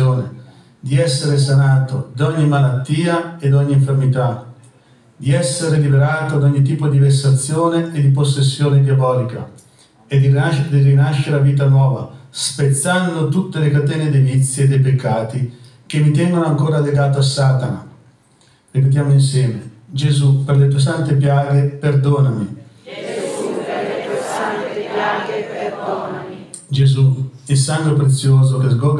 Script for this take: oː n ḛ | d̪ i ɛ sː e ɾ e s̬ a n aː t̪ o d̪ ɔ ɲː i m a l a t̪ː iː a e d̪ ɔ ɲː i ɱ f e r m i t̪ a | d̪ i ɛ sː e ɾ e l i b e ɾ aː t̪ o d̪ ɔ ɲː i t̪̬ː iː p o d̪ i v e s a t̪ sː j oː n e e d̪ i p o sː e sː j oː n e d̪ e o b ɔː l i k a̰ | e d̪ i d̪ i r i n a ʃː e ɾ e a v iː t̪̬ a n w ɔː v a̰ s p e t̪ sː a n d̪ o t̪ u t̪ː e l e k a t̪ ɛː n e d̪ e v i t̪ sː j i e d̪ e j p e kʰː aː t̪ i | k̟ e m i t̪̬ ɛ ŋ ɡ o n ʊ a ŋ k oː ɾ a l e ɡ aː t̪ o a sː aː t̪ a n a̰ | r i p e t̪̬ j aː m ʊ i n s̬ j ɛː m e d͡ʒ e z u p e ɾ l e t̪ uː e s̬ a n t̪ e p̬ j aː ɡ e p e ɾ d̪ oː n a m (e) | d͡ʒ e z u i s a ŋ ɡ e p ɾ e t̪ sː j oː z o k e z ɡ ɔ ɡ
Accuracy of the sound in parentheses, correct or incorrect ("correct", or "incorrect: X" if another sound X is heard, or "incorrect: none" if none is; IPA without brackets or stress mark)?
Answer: incorrect: i